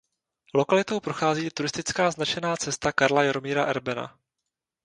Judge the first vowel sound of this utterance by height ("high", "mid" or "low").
mid